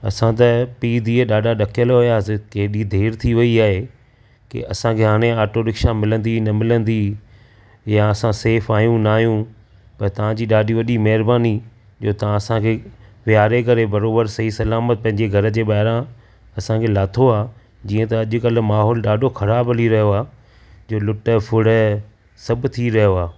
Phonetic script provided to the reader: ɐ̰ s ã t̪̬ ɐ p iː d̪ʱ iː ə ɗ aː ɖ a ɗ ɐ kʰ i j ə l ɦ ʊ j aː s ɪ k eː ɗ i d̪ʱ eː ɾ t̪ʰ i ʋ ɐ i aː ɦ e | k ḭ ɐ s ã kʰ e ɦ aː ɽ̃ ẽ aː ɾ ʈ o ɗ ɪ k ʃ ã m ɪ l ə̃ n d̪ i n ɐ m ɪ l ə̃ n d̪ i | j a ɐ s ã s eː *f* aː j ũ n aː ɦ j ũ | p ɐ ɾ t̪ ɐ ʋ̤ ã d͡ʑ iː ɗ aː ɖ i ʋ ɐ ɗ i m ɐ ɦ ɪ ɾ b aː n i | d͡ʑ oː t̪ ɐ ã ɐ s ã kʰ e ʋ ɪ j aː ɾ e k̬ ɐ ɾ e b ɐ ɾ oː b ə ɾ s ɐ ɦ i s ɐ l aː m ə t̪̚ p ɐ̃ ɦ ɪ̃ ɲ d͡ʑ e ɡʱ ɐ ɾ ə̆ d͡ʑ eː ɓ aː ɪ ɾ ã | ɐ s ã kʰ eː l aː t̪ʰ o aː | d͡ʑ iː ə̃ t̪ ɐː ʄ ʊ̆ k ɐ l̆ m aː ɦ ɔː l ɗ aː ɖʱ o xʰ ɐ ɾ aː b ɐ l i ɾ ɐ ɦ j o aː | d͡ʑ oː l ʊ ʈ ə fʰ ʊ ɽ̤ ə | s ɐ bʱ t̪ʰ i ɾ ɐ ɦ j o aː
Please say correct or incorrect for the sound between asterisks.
correct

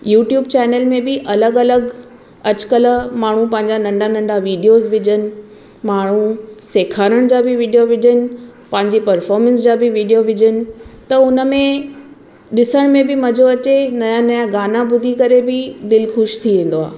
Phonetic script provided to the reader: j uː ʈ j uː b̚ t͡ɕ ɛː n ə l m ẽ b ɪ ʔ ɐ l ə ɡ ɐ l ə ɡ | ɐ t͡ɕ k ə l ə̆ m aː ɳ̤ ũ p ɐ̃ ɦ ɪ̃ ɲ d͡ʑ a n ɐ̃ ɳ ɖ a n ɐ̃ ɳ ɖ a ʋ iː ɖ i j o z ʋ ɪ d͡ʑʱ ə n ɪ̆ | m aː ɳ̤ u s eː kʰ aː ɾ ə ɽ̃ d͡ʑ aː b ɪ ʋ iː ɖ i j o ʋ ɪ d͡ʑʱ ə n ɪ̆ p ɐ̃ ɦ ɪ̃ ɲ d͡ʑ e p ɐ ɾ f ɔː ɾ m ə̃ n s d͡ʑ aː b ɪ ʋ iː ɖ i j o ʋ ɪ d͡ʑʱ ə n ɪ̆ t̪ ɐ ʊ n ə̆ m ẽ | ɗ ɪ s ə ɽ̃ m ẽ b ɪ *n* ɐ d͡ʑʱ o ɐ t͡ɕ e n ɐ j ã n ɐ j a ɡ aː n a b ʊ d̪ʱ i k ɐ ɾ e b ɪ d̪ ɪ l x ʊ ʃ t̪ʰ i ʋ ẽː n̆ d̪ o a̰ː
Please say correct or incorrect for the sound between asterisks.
incorrect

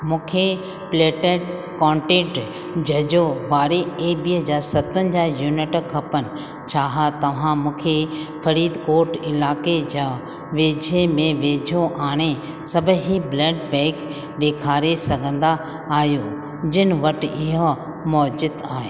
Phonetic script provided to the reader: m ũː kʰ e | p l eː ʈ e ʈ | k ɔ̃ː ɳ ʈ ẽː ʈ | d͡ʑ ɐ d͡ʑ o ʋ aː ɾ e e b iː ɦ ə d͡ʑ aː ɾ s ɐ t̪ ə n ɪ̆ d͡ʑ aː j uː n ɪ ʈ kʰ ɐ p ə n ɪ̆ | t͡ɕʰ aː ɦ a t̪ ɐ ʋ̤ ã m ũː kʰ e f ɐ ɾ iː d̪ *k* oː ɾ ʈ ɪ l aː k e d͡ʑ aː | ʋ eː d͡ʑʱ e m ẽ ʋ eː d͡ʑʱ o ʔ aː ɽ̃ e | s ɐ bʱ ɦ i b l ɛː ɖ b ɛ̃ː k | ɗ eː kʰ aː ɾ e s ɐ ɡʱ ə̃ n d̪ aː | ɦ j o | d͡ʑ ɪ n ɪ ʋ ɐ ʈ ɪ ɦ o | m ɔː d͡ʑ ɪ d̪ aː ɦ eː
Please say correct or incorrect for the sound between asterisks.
correct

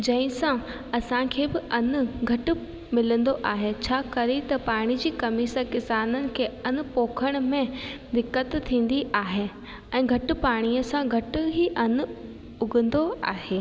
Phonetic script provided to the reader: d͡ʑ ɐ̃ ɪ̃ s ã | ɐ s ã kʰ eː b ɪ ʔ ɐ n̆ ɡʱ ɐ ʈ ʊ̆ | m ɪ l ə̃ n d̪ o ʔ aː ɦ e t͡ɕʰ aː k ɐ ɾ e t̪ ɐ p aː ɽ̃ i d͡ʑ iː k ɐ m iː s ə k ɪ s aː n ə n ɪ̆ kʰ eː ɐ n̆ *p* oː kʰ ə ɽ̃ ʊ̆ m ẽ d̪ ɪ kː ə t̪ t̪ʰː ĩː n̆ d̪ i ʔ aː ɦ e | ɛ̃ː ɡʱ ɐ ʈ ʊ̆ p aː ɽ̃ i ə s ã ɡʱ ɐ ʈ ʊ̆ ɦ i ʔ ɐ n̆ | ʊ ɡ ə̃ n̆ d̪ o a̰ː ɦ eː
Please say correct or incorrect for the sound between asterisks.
correct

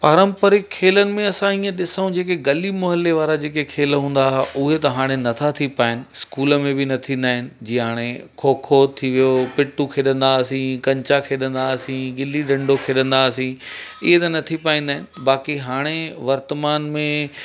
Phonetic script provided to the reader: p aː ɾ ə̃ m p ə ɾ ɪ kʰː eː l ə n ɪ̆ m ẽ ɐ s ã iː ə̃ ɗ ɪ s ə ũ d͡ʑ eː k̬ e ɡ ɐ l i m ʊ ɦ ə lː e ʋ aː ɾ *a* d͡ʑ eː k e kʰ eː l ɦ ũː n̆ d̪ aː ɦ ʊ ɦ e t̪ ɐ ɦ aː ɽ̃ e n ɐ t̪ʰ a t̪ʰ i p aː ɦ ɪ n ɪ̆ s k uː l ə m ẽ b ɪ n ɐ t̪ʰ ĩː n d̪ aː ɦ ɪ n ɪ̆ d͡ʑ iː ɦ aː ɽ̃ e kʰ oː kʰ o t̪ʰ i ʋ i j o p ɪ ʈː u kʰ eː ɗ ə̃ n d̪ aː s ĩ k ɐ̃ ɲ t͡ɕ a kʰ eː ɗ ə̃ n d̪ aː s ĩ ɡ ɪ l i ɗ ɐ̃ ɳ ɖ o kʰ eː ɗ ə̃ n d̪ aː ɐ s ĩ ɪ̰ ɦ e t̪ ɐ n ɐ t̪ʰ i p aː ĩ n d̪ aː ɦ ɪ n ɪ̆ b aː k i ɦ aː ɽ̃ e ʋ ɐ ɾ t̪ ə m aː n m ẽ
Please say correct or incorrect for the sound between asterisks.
correct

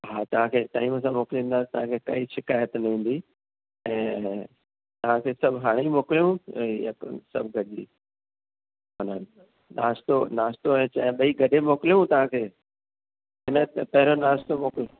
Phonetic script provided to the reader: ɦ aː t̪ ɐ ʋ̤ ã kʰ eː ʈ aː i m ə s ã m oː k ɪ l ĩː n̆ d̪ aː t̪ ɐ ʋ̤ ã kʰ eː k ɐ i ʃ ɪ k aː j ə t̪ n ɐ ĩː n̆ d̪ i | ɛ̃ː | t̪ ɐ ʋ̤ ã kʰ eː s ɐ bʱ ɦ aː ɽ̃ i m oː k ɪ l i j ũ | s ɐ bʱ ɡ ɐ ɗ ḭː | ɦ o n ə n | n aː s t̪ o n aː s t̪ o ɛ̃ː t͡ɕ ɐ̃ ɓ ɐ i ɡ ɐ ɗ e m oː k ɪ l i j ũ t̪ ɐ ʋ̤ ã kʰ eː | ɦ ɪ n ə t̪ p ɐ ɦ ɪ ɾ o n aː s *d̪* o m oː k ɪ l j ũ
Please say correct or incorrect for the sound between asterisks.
incorrect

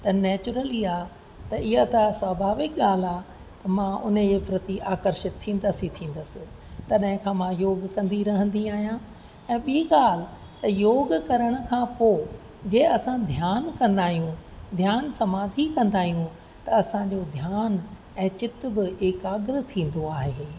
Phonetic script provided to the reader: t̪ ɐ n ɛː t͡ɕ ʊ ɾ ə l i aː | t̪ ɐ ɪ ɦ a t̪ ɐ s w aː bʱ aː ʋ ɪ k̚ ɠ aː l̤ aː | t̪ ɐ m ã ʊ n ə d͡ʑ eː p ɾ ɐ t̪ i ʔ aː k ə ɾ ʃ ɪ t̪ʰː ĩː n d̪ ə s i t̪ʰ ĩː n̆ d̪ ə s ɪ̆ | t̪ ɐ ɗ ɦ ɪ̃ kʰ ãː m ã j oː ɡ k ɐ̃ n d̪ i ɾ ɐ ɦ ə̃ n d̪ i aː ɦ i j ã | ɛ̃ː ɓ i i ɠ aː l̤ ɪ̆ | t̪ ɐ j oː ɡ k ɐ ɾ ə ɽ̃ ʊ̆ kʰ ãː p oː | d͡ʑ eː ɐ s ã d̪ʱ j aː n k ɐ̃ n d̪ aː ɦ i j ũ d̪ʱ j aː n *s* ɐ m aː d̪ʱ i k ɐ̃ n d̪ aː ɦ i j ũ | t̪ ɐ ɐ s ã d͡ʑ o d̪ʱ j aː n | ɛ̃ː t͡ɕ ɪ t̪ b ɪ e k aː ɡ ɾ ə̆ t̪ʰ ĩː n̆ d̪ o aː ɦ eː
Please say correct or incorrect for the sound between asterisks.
correct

